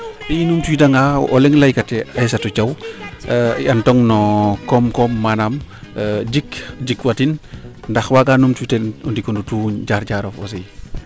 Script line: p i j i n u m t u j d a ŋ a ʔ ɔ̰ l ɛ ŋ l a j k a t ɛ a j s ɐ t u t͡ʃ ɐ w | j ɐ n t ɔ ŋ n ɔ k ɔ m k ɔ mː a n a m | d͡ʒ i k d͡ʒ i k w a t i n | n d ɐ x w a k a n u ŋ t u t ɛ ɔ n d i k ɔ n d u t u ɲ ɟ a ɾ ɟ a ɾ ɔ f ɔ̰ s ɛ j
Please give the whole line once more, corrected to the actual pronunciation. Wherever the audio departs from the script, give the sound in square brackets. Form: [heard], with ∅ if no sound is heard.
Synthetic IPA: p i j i n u m t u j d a ŋ a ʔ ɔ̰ l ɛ ŋ l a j k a t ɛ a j s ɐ t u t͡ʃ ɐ w | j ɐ n t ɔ ŋ n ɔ k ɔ m k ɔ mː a n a m | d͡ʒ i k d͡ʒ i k w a t i n | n d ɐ x w a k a n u [m] t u t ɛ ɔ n d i k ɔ n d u t u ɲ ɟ a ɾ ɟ a ɾ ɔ f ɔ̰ s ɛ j

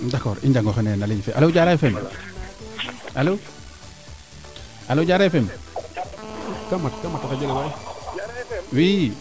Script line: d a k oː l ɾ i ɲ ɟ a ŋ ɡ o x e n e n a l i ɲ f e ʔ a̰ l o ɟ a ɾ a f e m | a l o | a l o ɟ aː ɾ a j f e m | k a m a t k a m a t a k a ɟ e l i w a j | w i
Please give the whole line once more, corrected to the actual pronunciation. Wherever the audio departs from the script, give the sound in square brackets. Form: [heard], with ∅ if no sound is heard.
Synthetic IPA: d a k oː [∅] ɾ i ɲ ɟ a ŋ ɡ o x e n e n a l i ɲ f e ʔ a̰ l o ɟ a ɾ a f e m | a l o | a l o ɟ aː ɾ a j f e m | k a m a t k a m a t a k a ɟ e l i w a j | w i

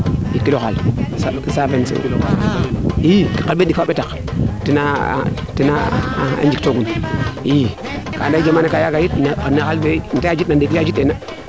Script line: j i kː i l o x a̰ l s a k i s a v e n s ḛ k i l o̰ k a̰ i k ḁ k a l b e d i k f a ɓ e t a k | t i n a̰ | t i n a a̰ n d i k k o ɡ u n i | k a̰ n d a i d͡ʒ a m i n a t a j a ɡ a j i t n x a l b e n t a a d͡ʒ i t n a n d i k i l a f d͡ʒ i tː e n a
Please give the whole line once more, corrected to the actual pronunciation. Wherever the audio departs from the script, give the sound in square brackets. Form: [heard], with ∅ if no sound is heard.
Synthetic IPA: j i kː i l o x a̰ l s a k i s a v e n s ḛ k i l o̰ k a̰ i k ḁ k a l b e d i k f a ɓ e t a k | t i n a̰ | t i n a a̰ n [d͡ʒ] i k [t] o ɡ u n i | k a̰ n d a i d͡ʒ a m [a] n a [k] a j a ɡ a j i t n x a l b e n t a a d͡ʒ i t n a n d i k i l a [∅] d͡ʒ i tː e n a

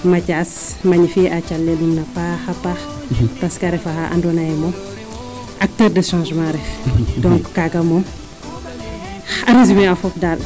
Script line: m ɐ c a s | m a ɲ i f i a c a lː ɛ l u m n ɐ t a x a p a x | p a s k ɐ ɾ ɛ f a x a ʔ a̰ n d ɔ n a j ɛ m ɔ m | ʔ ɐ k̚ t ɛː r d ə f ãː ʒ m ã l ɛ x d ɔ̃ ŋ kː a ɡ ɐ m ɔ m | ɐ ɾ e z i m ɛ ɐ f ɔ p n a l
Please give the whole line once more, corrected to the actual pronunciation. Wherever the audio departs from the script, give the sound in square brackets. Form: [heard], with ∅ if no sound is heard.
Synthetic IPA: m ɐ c a s | m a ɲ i f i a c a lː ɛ l u m n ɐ [p] a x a p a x | p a s k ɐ ɾ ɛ f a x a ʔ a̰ n d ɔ n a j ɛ m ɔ m | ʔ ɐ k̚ t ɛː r d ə [ʃ] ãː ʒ m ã [ɾ] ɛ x d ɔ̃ ŋ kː a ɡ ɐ m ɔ m | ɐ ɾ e z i m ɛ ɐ f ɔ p [d] a l

